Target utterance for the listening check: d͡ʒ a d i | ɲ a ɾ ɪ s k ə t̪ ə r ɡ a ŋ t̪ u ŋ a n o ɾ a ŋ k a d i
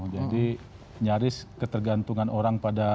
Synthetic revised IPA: d͡ʒ a d i | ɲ a ɾ ɪ s k ə t̪ ə r ɡ a n t̪ u ŋ a n o ɾ a ŋ p a d a